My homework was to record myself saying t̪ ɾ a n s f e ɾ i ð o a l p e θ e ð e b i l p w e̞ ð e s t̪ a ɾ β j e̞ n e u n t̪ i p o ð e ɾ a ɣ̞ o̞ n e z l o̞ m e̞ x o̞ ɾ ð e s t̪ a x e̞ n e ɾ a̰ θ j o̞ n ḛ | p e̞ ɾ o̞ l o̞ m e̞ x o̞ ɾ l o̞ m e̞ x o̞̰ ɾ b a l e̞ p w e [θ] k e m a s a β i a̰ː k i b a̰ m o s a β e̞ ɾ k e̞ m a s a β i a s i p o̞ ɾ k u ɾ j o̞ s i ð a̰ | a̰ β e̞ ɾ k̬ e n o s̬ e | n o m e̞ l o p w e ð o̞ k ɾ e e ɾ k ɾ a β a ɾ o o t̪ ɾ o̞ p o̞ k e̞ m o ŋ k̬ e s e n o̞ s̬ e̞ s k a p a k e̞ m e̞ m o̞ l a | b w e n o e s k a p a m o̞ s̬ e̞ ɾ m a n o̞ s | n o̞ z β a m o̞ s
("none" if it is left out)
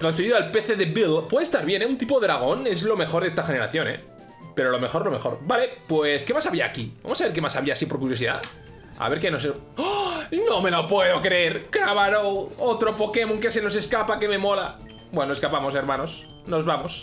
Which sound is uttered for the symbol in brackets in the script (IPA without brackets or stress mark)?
s